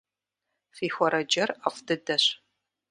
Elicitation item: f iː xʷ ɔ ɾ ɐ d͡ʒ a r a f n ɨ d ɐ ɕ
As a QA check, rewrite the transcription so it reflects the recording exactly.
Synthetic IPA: f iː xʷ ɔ ɾ ɐ d͡ʒ ɐ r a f d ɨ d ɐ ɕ